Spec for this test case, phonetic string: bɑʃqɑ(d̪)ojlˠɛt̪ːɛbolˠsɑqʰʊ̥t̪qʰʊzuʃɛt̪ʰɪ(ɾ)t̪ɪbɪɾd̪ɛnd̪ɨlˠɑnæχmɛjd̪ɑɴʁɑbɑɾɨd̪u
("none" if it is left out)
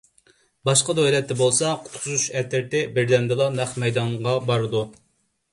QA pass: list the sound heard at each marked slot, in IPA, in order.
d̪, ɾ

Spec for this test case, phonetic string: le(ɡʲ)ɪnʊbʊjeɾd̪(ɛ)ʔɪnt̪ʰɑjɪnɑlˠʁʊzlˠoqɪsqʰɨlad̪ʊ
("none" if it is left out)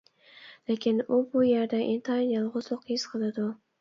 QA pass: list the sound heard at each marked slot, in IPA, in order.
kʲ, a

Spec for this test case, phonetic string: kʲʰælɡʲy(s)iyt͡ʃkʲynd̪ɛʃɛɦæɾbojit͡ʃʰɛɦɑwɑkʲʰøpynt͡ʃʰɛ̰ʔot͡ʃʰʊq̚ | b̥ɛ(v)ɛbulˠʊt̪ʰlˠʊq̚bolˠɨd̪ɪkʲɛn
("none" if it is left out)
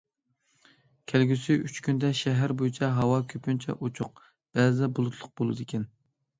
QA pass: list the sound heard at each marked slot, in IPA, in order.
s, z

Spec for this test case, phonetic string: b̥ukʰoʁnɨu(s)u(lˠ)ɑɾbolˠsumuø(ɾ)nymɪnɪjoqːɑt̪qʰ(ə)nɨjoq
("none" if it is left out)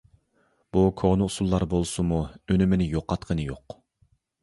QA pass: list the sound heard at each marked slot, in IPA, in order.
s, lˠː, none, ə

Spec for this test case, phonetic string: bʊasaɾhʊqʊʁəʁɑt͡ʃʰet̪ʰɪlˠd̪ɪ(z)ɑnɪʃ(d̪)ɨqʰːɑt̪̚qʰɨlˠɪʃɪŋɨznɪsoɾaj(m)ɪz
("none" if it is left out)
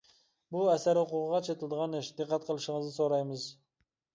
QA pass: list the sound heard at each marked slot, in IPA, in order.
ʁ, d̪, m

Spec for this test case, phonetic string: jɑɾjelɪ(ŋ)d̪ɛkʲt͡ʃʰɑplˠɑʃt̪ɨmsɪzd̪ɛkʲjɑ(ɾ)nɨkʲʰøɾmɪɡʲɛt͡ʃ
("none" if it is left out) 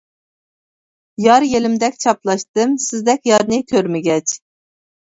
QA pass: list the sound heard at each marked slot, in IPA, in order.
m, ɾ

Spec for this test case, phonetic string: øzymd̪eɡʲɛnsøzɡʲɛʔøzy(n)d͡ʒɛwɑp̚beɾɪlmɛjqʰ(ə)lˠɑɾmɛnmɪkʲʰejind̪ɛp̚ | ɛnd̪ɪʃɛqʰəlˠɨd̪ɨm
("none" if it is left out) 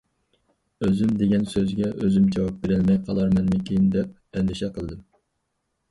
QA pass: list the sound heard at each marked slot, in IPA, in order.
m, ɑ

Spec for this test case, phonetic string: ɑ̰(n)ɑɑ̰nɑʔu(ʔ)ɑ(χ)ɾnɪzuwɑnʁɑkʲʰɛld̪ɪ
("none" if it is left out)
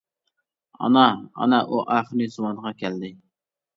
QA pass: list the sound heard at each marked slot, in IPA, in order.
n, ʔ, χ

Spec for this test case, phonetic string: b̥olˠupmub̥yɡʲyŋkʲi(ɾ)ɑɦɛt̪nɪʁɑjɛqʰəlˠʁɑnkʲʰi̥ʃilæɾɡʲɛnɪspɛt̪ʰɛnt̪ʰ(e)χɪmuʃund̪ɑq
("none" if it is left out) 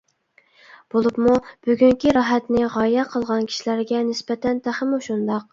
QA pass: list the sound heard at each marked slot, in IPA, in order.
ɾ, æ

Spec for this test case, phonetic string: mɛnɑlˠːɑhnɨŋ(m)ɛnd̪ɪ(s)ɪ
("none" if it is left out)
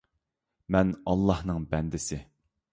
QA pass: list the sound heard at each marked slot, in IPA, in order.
b, s

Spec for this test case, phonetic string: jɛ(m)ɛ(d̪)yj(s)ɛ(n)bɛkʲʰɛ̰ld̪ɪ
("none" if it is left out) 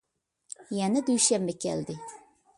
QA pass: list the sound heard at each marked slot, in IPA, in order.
n, d̪, ʃ, m

